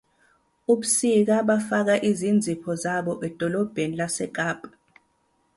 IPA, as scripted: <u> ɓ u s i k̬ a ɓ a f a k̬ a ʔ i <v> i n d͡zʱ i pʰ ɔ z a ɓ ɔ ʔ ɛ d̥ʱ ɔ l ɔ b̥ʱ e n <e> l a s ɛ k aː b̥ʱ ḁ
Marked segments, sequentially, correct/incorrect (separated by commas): correct, incorrect, incorrect